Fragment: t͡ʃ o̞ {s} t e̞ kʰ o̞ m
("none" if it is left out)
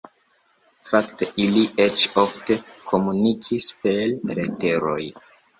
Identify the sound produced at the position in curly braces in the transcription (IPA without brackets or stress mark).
f